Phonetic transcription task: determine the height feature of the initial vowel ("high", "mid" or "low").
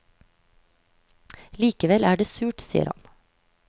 high